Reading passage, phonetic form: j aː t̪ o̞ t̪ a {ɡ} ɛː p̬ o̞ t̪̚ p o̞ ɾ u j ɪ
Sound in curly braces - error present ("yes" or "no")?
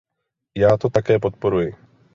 yes